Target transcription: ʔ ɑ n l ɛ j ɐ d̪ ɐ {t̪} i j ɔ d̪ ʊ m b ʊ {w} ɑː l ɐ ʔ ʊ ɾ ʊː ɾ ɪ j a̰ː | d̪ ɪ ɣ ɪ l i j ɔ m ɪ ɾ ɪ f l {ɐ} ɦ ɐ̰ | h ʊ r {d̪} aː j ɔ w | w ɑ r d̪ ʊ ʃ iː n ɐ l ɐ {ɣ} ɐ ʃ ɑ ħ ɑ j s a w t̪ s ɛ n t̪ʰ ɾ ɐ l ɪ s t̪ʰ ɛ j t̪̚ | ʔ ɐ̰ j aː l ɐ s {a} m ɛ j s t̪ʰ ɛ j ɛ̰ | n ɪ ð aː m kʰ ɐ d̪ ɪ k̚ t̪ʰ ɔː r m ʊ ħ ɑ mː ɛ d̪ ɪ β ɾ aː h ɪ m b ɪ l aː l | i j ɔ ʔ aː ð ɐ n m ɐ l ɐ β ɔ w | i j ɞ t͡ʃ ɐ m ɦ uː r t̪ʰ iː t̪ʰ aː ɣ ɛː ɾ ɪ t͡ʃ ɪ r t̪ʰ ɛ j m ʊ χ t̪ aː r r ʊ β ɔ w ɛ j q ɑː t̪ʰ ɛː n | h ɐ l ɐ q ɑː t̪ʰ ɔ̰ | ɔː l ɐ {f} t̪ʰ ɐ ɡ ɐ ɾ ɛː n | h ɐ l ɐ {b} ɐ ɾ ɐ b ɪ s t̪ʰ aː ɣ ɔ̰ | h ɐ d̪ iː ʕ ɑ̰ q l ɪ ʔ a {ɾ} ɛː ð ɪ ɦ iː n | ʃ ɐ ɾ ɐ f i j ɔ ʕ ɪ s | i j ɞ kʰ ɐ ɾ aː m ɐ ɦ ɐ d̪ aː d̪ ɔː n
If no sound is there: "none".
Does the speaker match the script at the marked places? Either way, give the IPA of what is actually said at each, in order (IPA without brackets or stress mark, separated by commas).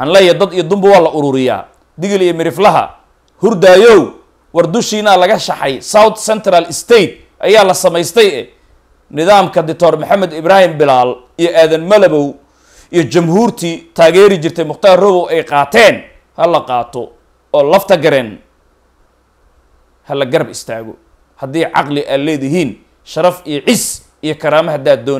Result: d̪, w, ɐ, d̪, ɣ, ɐ, f, ɡ, l